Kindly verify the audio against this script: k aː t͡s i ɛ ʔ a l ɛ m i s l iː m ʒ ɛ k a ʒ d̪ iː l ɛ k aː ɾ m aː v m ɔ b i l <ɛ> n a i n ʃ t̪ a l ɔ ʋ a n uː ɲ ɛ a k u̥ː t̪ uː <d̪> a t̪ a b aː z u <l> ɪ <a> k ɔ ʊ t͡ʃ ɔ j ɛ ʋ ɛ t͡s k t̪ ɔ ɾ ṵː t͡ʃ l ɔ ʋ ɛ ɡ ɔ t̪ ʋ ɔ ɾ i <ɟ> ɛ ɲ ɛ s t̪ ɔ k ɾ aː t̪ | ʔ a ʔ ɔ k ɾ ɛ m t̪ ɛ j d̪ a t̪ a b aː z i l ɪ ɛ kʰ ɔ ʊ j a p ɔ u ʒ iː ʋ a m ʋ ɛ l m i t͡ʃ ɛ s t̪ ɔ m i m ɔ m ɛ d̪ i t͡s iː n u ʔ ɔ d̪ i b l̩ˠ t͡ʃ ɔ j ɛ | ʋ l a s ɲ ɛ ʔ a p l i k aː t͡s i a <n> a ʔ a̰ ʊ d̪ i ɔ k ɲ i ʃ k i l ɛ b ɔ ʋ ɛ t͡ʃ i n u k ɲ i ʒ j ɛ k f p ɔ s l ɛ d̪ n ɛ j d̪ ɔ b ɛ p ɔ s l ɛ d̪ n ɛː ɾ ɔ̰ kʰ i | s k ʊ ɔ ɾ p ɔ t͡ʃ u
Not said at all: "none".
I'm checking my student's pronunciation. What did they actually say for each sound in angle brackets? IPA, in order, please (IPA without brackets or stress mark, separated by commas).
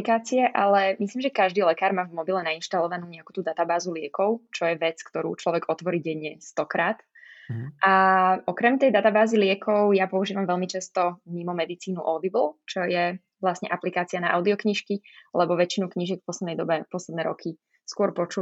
ɛ, d̪, l, ɛ, ɟ, n